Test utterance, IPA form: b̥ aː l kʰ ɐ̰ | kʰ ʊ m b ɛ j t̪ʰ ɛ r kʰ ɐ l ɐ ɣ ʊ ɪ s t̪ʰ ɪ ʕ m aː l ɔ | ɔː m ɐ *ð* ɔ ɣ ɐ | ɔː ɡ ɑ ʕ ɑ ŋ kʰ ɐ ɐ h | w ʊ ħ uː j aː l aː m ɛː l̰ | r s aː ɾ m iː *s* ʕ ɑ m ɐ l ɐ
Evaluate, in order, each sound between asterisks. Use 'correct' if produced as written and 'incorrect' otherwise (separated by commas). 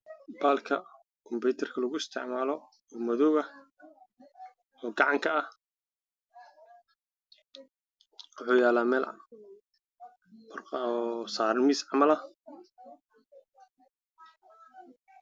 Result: correct, correct